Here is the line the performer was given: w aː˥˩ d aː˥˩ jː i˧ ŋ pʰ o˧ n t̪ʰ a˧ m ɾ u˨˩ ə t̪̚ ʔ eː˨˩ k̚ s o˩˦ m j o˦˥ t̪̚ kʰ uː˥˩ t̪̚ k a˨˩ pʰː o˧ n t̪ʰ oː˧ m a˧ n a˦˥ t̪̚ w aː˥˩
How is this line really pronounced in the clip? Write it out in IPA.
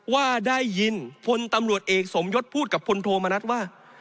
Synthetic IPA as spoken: w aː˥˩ d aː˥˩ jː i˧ n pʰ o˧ n t̪ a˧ m ɾ u˨˩ ə t̪̚ ʔ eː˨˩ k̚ s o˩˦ m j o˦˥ t̪̚ pʰ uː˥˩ t̪̚ k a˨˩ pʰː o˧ n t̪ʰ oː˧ m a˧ n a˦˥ t̪̚ w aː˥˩